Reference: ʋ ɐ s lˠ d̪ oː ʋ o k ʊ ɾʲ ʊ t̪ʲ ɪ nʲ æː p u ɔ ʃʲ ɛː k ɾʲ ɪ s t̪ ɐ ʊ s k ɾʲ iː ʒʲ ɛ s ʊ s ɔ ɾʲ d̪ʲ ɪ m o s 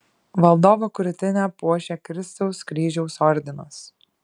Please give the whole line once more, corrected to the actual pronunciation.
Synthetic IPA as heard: ʋ ɐ lˠ d̪ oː ʋ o k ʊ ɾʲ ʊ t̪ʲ ɪ nʲ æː p u ɔ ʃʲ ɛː k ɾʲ ɪ s t̪ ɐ ʊ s k ɾʲ iː ʒʲ ɛ ʊ s ɔ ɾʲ d̪ʲ ɪ n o s